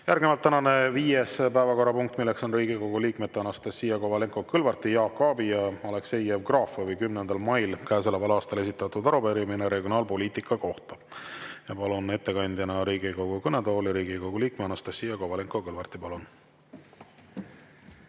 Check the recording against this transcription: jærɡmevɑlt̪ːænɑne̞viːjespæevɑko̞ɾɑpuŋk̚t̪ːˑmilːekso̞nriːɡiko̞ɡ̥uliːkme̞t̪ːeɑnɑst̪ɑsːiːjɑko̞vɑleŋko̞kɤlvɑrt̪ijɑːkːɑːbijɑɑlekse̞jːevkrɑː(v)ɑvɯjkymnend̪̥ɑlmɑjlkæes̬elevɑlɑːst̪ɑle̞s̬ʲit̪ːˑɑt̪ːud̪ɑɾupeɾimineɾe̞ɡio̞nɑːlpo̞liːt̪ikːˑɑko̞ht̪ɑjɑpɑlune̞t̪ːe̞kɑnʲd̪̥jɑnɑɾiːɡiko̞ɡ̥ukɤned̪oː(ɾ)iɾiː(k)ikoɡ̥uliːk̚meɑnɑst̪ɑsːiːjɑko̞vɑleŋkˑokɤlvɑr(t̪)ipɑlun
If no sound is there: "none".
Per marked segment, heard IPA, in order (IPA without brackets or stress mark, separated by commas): f, l, ɡ, t̪